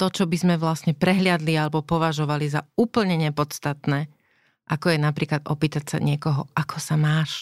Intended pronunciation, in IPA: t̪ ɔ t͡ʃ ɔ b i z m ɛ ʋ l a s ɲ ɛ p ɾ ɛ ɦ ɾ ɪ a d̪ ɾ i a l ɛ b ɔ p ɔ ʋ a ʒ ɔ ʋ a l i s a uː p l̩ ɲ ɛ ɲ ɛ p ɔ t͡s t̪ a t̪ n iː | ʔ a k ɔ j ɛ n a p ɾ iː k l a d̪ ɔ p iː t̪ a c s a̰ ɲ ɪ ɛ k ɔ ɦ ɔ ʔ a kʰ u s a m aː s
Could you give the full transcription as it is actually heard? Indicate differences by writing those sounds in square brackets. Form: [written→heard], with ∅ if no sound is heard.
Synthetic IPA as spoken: t̪ ɔ t͡ʃ ɔ b i z m ɛ ʋ l a s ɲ ɛ p ɾ ɛ ɦ [ɾ→l] ɪ a d̪ [ɾ→l] i a l ɛ b ɔ p ɔ ʋ a ʒ ɔ ʋ a l i [s→z] a uː p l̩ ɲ ɛ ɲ ɛ p ɔ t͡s t̪ a t̪ n [iː→ɛː] | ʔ a k ɔ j ɛ n a p ɾ iː k l a d̪ ɔ p iː t̪ a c s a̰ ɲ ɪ ɛ k ɔ ɦ ɔ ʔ a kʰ [u→ɔ] s a m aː [s→ʃ]